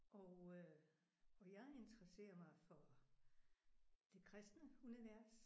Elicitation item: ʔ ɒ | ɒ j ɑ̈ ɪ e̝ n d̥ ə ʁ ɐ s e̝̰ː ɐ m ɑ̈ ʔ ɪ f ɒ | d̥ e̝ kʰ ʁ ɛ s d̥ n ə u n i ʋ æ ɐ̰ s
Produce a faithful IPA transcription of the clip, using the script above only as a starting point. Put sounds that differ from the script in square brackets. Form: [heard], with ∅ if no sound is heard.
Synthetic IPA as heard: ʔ ɒ | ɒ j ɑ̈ ɪ e̝ n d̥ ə ʁ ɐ s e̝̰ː ɐ m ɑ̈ [∅] ɪ f ɒ | d̥ e̝ kʰ ʁ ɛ s d̥ n ə u n i ʋ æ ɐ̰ s